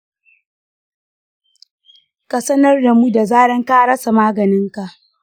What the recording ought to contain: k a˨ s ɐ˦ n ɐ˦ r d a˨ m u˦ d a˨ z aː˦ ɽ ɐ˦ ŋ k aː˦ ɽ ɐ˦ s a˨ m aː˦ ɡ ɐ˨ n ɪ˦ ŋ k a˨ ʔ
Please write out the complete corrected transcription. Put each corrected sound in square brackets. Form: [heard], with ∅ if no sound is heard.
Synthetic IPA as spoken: k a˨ s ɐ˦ n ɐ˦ r d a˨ m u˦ d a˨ z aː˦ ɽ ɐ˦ ŋ k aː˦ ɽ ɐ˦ s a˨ m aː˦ ɡ ɐ˨ n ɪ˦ ŋ k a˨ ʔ